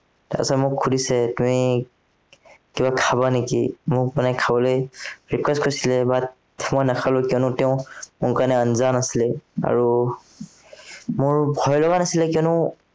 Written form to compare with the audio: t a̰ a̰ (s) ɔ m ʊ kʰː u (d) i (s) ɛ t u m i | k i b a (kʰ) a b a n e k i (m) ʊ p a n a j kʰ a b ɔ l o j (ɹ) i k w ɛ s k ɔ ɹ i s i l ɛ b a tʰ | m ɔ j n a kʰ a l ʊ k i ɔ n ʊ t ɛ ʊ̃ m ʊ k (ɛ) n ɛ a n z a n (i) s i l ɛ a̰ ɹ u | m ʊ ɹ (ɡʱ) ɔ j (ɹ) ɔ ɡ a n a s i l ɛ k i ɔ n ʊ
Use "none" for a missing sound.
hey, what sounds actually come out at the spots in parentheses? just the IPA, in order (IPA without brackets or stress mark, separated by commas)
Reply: s, d, s, kʰ, m, ɹ, a, a, bʱ, l